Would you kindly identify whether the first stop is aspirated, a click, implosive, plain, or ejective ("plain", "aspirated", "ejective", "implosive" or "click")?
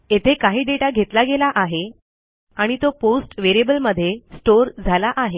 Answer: aspirated